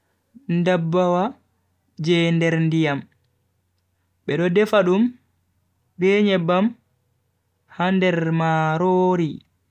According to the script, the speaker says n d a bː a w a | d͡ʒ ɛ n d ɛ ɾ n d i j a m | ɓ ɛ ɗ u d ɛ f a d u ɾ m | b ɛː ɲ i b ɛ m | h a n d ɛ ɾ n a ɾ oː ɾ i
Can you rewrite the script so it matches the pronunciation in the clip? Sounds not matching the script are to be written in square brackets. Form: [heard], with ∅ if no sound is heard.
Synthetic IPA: n d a bː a w a | d͡ʒ ɛ n d ɛ ɾ n d i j a m | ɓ ɛ ɗ [ɔ] d ɛ f a [ɗ] u [∅] m | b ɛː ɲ [ɛ] b [a] m | h a n d ɛ ɾ [m] a ɾ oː ɾ i